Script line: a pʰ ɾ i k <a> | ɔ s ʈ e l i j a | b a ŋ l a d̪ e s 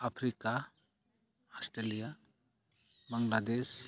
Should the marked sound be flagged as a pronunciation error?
no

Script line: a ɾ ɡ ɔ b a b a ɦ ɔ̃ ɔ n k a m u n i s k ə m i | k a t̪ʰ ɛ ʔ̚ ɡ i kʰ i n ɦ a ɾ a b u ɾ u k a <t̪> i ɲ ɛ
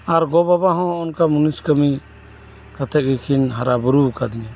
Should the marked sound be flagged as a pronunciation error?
yes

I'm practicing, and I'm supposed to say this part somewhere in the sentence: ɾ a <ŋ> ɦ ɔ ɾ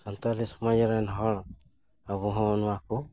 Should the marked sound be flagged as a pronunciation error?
yes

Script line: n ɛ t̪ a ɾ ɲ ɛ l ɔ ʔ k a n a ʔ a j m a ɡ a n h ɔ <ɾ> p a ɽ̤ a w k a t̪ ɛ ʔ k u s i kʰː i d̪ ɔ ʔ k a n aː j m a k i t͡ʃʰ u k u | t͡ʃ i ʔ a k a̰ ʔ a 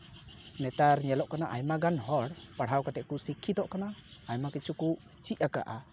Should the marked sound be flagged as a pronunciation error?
yes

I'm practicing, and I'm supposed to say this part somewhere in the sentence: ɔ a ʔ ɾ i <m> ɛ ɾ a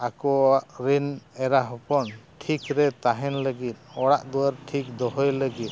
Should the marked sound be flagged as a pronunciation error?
yes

